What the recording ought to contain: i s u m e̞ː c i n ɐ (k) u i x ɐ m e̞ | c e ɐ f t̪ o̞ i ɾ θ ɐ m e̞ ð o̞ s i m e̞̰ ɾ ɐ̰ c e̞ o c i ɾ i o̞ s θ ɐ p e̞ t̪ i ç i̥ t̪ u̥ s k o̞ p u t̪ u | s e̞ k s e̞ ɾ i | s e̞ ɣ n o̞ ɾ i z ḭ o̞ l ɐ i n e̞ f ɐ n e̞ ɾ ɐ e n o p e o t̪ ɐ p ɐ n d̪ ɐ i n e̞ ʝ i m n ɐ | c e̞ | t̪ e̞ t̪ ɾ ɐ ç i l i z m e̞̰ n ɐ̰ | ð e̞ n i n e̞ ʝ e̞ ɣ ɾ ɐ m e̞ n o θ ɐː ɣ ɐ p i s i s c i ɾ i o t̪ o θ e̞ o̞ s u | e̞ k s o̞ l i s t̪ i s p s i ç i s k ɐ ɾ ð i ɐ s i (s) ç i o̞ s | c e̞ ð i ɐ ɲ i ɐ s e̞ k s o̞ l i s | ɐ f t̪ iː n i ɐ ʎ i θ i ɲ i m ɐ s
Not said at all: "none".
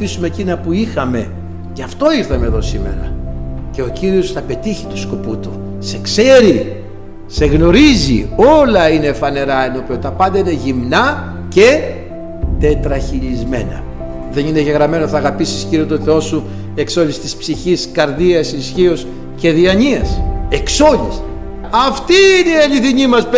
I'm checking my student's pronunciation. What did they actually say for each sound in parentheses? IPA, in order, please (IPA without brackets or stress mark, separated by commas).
p, s